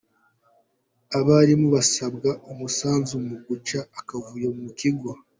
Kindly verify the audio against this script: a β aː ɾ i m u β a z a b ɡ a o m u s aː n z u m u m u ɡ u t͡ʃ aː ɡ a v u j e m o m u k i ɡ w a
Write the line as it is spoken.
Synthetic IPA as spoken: a β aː ɾ i m u β a s a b ɡ a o m u s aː n z u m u m u ɡ u t͡ʃ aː k a v u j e m u m u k i ɡ w a